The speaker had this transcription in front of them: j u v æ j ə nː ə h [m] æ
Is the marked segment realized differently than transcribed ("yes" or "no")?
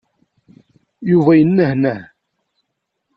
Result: yes